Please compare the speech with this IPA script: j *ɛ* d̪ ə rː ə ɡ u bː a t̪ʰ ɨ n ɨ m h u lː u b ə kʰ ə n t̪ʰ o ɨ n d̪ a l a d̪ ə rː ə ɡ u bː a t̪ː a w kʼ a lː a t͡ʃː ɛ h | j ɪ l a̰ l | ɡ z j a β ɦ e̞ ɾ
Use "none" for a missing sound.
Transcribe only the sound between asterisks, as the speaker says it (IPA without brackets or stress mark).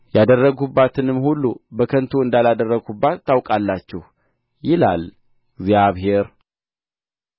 a